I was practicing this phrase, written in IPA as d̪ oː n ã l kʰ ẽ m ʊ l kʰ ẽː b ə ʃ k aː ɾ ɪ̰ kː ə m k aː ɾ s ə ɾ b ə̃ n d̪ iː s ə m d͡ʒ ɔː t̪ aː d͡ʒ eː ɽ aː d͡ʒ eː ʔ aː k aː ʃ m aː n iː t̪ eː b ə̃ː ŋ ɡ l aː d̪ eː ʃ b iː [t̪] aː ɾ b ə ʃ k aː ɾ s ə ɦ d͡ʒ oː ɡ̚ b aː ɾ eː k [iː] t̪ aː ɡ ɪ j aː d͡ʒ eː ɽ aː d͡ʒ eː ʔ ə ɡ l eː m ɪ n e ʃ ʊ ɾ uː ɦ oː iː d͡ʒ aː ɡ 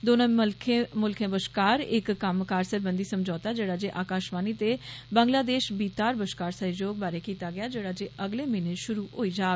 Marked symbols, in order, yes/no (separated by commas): yes, yes